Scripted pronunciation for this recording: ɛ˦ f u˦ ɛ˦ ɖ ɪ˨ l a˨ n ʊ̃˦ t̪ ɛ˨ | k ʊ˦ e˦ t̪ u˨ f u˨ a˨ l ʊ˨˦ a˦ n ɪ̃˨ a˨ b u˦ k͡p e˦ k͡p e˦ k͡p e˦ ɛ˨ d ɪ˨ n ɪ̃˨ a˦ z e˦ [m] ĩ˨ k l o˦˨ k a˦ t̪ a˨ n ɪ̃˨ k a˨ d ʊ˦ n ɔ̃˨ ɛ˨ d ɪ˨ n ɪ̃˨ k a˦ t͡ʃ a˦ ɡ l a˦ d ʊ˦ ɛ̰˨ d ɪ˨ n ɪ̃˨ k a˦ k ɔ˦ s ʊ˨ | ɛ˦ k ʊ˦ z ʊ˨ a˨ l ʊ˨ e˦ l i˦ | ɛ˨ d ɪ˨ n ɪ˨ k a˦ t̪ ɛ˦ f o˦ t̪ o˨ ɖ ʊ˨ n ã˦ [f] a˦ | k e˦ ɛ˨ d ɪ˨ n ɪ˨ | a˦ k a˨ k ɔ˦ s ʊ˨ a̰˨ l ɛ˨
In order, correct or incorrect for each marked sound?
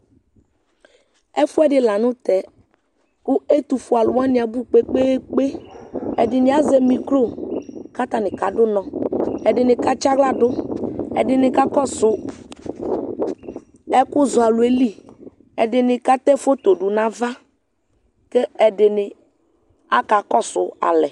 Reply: correct, incorrect: v

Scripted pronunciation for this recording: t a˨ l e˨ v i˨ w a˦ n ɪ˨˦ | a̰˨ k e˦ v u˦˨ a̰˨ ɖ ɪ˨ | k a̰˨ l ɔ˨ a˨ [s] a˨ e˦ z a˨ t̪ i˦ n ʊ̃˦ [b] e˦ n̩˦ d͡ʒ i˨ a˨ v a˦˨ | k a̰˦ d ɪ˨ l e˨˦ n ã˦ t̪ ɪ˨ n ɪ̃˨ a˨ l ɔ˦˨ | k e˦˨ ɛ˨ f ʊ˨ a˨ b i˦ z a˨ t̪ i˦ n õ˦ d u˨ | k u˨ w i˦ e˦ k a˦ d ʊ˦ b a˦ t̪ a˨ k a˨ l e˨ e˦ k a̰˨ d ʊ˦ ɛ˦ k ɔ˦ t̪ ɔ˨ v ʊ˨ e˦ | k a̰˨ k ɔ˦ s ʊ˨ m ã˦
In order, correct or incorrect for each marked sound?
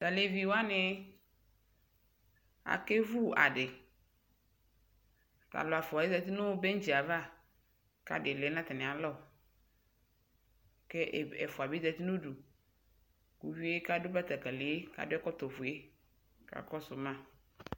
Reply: incorrect: f, correct

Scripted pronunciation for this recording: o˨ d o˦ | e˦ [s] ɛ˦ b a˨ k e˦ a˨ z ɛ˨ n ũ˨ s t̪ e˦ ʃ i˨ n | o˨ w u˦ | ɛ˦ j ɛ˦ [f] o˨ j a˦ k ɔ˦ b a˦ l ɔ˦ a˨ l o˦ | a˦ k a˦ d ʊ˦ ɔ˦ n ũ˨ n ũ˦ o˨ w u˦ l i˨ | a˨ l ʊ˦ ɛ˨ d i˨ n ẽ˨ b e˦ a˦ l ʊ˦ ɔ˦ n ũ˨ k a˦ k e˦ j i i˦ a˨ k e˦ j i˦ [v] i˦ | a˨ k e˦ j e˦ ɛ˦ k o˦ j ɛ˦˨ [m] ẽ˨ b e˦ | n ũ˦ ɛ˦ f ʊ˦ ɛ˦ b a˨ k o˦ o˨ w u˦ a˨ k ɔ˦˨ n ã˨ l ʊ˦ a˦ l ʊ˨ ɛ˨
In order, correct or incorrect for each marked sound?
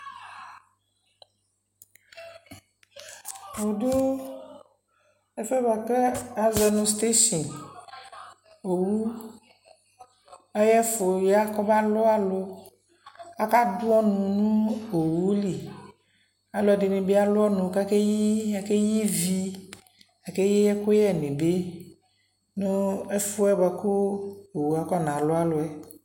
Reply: incorrect: f, correct, correct, incorrect: n

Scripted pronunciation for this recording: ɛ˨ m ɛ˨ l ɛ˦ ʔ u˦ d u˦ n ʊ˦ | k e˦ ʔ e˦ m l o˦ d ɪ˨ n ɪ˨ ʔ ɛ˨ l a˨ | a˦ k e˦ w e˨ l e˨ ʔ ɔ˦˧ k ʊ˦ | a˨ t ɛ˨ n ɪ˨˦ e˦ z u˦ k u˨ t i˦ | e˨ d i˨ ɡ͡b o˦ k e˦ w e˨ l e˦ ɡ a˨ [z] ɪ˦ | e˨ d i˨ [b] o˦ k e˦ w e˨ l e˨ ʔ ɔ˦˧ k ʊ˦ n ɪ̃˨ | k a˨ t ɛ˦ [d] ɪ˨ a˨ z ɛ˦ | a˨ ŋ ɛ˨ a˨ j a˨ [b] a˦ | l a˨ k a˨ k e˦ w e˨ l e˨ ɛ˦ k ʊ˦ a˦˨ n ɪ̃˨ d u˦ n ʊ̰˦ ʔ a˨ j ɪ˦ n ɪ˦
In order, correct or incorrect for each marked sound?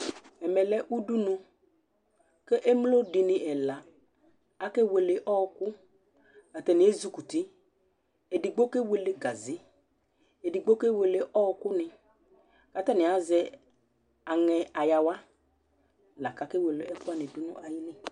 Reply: correct, incorrect: ɡ͡b, incorrect: n, incorrect: w

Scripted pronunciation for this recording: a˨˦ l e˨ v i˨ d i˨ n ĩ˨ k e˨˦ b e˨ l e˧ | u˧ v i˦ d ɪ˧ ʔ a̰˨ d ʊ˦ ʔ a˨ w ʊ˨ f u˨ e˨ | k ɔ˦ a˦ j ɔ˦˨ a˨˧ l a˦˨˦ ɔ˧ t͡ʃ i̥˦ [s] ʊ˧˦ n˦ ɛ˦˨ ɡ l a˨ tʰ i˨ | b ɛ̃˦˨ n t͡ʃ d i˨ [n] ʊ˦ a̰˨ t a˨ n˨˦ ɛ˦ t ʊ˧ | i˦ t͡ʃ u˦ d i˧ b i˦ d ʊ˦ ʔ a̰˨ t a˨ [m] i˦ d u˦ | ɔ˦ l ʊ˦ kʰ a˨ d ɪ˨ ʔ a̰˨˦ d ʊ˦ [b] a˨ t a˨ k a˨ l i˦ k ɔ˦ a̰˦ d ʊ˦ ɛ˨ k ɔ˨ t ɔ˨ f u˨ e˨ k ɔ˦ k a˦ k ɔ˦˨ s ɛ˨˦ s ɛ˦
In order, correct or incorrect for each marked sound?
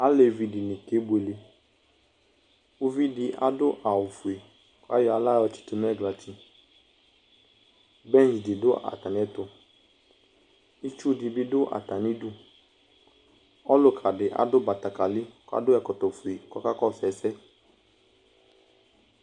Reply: incorrect: t, incorrect: d, incorrect: n, correct

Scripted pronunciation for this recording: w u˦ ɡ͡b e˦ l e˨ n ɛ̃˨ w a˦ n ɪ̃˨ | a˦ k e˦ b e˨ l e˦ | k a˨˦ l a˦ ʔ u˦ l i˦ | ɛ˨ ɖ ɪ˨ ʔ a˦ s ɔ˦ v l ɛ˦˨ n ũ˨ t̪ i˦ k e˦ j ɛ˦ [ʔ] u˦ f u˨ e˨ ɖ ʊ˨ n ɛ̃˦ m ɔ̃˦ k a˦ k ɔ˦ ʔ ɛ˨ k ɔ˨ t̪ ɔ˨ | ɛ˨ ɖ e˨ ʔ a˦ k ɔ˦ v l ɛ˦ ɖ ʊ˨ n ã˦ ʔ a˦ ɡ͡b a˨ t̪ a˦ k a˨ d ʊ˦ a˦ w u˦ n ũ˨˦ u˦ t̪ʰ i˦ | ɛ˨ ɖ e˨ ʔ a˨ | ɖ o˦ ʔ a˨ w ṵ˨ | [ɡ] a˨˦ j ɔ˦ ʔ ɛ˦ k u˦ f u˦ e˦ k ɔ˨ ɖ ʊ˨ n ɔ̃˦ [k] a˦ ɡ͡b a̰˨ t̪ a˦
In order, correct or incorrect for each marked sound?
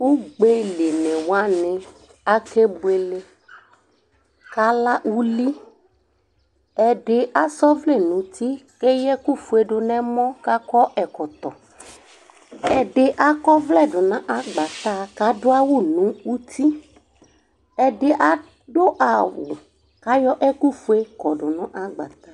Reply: incorrect: k, incorrect: k, incorrect: ʔ

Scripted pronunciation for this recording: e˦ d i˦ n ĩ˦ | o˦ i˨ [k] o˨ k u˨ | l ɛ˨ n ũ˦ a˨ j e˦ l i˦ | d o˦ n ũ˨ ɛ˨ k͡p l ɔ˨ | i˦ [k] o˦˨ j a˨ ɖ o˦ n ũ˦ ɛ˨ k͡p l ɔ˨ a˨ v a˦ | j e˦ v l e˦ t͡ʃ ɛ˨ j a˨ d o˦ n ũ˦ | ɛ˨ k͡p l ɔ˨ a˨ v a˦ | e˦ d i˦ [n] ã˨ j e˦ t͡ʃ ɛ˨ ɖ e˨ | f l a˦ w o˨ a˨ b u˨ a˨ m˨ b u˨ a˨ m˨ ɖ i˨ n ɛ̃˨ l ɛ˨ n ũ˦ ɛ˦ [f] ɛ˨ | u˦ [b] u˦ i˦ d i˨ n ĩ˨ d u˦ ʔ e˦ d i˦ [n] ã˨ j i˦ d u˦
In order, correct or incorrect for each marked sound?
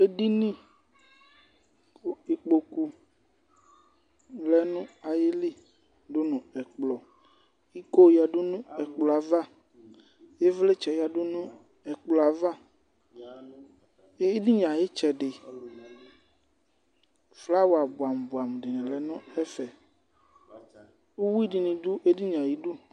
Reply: incorrect: k͡p, correct, incorrect: ɲ, correct, incorrect: w, incorrect: ɲ

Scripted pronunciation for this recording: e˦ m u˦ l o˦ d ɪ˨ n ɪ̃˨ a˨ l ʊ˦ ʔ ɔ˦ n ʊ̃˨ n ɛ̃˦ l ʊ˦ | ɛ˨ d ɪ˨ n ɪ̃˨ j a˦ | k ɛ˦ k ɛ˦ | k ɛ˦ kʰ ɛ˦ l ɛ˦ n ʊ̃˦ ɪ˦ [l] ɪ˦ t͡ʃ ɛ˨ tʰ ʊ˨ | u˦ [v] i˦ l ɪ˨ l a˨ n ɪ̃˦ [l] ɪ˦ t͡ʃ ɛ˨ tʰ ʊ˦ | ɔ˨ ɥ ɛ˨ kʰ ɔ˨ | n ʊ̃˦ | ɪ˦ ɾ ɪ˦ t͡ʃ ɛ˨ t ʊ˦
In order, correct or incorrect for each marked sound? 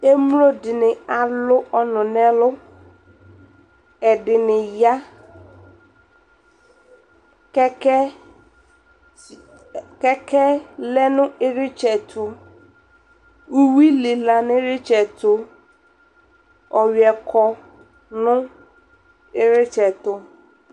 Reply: incorrect: ɾ, incorrect: w, incorrect: ɾ

